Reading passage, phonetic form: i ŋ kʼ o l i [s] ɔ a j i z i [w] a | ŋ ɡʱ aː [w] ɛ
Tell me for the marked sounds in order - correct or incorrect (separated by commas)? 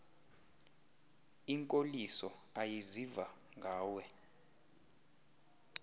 correct, incorrect, correct